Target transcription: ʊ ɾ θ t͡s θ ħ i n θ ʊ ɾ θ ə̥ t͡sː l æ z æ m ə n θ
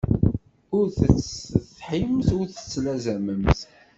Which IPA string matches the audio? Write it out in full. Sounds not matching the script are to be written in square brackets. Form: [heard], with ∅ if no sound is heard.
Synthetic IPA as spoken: ʊ ɾ θ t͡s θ ħ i [m] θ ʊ ɾ θ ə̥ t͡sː l æ z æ m ə [m] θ

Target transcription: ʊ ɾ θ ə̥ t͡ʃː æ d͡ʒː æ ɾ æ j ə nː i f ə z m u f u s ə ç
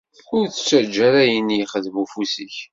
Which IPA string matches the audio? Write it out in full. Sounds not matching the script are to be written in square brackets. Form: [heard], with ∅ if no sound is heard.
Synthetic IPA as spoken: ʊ ɾ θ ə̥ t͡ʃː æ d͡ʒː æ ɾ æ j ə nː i [χ] ə [ð] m u f u s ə ç

